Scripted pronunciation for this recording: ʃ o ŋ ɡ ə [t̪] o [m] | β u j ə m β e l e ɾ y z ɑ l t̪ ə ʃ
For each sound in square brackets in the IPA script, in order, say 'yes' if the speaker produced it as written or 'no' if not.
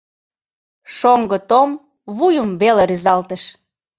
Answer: yes, yes

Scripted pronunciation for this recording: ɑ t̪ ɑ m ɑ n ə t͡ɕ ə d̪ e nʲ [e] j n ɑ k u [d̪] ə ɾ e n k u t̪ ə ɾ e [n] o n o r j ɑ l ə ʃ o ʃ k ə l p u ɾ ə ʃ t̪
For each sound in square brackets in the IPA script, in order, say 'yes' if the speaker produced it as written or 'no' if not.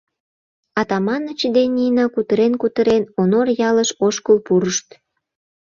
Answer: no, no, yes

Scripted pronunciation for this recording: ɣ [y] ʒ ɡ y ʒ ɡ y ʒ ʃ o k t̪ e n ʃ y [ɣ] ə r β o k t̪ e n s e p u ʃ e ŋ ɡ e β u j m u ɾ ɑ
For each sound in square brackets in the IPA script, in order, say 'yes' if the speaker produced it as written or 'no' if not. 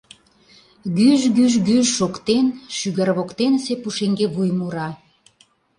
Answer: yes, yes

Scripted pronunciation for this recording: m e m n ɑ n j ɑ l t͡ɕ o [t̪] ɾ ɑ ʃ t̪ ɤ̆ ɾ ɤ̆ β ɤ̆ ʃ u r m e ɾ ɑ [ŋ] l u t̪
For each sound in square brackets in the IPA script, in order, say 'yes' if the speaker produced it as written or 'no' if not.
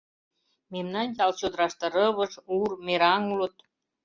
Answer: no, yes

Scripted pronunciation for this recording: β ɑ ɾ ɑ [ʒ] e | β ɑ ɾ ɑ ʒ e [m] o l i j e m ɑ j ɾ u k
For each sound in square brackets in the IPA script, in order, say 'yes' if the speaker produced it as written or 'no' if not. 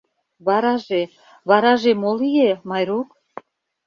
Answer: yes, yes

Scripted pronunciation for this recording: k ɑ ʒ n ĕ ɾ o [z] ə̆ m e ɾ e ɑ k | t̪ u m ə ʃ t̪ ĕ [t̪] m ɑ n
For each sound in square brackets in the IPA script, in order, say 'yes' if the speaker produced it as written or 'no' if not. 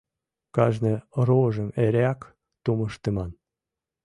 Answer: no, no

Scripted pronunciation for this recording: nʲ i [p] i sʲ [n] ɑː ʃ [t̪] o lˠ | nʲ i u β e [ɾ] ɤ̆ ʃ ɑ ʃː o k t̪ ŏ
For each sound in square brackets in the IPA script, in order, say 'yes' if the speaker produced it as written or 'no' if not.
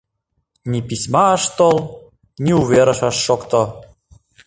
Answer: yes, no, yes, yes

